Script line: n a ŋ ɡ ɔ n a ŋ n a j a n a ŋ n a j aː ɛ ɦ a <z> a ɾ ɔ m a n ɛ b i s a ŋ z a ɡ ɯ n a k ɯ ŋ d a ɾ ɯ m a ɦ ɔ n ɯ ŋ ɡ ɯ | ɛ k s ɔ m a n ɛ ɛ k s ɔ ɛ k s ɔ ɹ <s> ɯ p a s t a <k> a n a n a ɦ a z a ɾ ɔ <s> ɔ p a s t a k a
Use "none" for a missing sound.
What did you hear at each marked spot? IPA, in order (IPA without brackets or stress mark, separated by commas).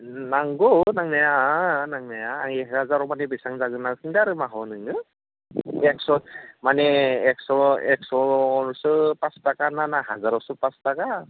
z, s, k, s